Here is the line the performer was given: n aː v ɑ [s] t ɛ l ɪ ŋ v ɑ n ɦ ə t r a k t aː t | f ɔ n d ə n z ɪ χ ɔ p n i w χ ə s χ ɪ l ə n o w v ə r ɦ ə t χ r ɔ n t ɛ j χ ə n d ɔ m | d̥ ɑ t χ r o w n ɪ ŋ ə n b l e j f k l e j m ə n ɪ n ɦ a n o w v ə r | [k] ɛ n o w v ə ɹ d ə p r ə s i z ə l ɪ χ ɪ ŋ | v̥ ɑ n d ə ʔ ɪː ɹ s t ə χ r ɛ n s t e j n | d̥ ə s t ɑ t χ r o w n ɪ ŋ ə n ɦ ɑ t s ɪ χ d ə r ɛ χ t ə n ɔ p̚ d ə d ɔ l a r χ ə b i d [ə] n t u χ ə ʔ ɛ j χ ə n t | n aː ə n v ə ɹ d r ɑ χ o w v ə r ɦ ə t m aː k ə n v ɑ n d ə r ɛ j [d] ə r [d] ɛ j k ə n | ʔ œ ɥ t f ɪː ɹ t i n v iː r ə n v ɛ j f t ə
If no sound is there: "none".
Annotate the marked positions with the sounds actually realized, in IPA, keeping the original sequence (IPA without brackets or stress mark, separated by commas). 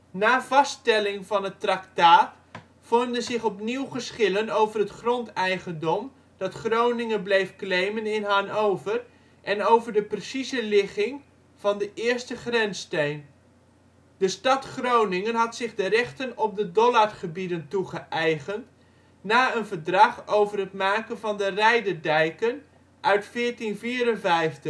s, ʔ, ə, d, d